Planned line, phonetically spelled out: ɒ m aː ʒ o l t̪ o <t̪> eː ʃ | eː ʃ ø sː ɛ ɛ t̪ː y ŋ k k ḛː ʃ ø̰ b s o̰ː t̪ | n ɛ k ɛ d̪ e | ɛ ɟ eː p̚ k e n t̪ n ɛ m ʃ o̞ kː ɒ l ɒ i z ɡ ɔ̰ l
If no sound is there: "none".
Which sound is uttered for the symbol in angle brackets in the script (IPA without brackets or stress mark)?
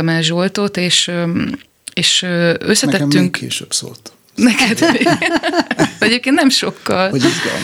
t̪